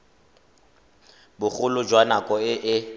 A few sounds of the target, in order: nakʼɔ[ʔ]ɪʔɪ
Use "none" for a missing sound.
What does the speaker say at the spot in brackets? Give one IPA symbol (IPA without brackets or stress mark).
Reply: none